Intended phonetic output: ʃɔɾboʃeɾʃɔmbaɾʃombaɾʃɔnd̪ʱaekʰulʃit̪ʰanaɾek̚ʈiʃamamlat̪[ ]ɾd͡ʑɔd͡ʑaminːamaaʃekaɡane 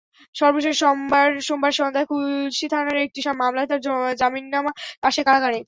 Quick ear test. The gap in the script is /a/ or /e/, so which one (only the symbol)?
a